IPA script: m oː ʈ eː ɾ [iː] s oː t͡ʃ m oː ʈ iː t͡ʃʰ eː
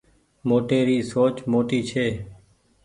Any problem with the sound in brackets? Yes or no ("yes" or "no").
no